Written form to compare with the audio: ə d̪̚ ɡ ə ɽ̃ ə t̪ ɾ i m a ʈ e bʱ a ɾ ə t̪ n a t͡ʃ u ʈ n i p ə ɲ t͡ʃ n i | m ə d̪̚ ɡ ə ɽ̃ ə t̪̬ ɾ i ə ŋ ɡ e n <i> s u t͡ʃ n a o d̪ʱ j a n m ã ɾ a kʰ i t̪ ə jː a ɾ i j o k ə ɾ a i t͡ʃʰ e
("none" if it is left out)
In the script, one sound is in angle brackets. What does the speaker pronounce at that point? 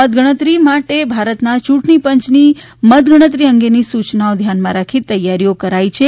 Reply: i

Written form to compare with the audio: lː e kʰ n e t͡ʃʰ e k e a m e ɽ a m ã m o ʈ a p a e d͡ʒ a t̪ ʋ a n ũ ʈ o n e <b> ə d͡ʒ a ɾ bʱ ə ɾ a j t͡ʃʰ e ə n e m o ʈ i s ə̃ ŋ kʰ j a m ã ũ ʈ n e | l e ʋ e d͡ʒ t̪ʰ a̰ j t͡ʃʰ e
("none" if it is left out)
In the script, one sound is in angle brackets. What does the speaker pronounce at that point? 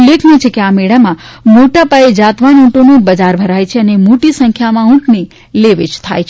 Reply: b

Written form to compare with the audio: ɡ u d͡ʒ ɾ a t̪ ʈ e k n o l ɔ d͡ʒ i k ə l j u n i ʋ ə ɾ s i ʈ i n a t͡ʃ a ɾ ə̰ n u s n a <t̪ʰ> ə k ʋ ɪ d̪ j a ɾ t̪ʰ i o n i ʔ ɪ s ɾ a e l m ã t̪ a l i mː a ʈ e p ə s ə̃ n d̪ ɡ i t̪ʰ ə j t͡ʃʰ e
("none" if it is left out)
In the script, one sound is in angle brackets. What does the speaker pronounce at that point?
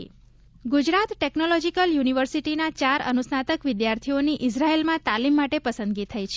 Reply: t̪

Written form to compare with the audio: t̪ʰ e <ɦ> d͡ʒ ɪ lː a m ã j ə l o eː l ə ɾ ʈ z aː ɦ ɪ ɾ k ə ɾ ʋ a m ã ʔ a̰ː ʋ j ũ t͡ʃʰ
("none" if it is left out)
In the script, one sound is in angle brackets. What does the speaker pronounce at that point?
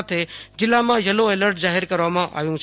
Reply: none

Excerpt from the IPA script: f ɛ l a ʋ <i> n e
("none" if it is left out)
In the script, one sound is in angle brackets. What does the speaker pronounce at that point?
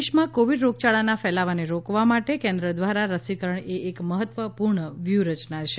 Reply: a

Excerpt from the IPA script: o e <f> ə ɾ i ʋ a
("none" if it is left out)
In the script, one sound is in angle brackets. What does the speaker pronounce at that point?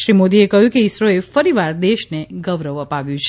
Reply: f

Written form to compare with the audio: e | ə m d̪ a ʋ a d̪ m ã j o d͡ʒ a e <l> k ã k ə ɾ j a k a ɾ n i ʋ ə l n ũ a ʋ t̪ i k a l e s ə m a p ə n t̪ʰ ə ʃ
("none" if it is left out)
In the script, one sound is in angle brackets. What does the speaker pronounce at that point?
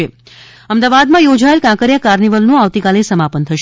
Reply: l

